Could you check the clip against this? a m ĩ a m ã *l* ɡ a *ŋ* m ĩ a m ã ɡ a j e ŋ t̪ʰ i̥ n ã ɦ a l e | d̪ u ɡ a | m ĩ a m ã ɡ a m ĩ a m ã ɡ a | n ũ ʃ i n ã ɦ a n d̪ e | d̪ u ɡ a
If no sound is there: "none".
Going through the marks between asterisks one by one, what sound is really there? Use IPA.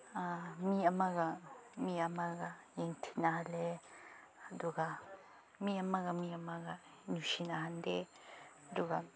none, none

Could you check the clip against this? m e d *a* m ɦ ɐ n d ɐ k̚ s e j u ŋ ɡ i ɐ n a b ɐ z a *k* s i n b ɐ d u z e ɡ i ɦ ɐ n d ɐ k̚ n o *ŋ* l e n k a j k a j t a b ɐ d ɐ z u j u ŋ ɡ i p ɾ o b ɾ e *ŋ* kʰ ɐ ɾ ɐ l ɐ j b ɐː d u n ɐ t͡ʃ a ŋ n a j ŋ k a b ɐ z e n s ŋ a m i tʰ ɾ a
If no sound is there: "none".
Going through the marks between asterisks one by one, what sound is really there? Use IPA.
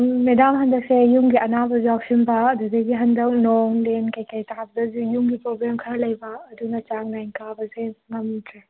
a, k, ŋ, m

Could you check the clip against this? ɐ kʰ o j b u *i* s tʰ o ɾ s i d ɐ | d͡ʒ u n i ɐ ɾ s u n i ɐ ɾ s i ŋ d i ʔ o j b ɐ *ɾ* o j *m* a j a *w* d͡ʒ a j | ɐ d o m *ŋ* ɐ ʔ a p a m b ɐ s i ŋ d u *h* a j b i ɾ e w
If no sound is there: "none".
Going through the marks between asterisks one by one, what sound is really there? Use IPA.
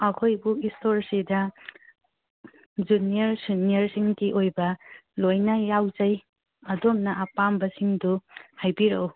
i, l, n, w, n, h

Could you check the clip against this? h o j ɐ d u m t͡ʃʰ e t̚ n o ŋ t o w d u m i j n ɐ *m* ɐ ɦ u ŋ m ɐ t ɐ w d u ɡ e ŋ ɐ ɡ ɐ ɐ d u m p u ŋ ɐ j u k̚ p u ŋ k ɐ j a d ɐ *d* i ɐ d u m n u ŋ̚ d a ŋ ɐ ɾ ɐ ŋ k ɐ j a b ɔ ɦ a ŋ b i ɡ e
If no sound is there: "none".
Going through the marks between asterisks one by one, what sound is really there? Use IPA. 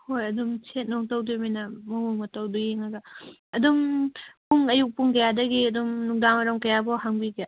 m, ɡ

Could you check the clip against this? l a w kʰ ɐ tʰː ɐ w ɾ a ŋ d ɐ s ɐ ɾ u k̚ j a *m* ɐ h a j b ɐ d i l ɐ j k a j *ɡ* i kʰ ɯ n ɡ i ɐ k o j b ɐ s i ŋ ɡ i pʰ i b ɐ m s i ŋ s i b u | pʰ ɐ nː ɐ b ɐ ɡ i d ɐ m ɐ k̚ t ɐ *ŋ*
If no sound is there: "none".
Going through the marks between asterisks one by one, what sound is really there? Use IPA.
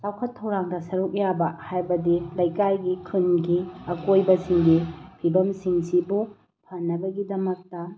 b, ɡ, none

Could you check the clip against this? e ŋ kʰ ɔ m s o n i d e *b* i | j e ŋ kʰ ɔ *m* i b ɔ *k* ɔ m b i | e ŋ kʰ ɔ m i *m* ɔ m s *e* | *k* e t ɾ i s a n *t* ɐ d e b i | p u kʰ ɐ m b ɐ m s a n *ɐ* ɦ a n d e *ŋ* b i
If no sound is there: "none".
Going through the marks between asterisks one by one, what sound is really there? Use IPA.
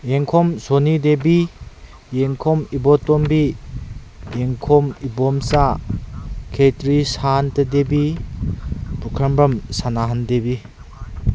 b, m, t, b, a, kʰ, t, a, none

